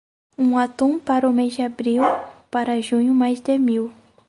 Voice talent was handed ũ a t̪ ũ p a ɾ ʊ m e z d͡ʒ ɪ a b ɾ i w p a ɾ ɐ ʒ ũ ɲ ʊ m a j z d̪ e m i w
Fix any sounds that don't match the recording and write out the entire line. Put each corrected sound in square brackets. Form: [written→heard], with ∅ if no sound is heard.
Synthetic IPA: ũ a t̪ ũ p a ɾ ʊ m e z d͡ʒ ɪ a b ɾ i w p a ɾ ɐ ʒ ũ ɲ ʊ m a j z d̪ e m i w

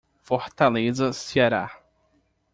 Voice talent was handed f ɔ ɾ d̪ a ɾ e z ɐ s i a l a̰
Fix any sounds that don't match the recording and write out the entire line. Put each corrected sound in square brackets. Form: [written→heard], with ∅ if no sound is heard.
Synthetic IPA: f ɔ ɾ [d̪→t̪] a [ɾ→l] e z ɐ s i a [l→ɾ] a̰

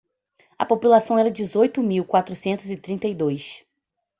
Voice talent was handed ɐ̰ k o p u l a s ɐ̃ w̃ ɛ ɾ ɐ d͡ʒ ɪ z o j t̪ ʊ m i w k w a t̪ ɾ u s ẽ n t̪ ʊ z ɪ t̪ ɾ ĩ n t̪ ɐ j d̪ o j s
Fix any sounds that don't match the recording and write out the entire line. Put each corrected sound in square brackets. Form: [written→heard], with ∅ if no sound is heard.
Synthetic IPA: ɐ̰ [k→p] o p u l a s ɐ̃ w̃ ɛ ɾ ɐ d͡ʒ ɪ z o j t̪ ʊ m i w k w a t̪ ɾ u s ẽ n t̪ ʊ z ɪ t̪ ɾ ĩ n t̪ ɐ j d̪ o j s

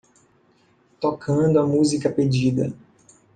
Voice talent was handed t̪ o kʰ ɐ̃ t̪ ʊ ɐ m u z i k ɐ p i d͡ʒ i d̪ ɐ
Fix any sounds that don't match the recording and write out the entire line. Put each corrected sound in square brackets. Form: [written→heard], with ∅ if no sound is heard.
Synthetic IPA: t̪ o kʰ ɐ̃ [t̪→d̪] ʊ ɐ m u z i k ɐ p [i→e] d͡ʒ i d̪ ɐ

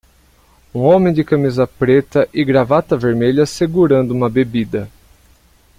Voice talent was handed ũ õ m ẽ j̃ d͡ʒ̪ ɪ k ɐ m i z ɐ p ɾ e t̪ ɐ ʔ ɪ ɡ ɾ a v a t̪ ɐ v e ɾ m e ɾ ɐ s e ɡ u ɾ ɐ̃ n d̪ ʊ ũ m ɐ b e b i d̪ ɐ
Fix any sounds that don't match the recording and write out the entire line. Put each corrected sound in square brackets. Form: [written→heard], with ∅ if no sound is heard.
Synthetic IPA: ũ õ m ẽ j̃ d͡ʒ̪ ɪ k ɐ m i z ɐ p ɾ e t̪ ɐ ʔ ɪ ɡ ɾ a v a t̪ ɐ v e ɾ m e [ɾ→ʎ] ɐ s e ɡ u ɾ ɐ̃ n d̪ ʊ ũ m ɐ b e b i d̪ ɐ

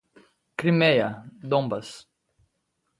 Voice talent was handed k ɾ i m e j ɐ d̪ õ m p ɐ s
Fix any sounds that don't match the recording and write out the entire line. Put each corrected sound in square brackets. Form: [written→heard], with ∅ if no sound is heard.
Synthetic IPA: k ɾ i m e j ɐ d̪ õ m [p→b] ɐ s

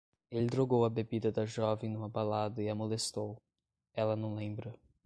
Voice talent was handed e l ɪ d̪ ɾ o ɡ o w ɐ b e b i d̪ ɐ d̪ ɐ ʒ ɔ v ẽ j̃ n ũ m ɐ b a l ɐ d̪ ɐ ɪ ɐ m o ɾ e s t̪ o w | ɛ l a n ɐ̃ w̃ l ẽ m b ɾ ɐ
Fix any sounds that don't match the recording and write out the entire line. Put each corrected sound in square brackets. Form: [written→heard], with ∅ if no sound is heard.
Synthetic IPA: e l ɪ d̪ ɾ o ɡ o w ɐ b e b i d̪ ɐ d̪ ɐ ʒ ɔ v ẽ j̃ n ũ m ɐ b a l [ɐ→a] d̪ ɐ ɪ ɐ m o [ɾ→l] e s t̪ o w | ɛ l [a→ɐ] n ɐ̃ w̃ l ẽ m b ɾ ɐ

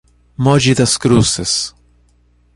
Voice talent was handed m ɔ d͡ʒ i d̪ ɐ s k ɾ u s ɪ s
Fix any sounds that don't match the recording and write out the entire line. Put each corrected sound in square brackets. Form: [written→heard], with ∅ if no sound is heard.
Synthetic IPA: m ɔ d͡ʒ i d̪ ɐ s k ɾ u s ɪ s

